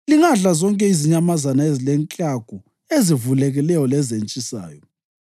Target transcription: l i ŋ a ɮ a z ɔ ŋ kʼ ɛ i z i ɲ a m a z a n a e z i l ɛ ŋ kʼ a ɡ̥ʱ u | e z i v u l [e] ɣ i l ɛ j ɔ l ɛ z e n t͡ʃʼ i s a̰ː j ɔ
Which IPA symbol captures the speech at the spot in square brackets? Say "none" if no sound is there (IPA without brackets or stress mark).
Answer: ɛ